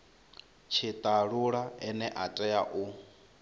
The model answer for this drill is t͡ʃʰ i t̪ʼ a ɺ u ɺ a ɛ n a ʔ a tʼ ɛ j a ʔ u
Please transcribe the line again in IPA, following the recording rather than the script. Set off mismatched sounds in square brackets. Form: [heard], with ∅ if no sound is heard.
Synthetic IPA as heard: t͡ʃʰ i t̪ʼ a ɺ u ɺ a ɛ n [ɛ] ʔ a tʼ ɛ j a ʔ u